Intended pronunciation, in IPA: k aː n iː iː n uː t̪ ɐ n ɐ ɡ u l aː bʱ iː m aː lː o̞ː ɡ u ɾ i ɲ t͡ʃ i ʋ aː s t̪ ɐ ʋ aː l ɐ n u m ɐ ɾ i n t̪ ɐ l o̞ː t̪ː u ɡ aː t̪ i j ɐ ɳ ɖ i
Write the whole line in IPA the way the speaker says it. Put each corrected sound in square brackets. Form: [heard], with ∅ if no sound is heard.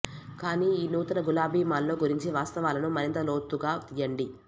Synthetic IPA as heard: k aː n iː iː n uː t̪ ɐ n ɐ ɡ u l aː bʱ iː m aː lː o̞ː ɡ u ɾ i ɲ t͡ʃ i ʋ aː s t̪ ɐ ʋ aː l ɐ n u m ɐ ɾ i n t̪ ɐ l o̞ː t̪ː u ɡ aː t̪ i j ɐ ɳ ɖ i